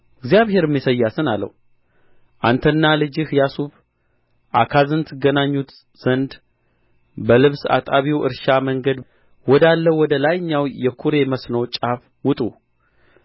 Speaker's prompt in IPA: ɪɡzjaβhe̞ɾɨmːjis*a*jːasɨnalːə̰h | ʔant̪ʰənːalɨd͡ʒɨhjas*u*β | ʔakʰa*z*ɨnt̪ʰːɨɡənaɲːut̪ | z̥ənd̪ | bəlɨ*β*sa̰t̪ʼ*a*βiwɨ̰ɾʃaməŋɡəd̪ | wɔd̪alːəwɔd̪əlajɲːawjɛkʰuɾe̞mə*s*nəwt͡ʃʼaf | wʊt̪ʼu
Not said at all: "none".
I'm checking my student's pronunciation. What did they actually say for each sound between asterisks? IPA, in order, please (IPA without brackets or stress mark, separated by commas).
ə, u, z, β, a, s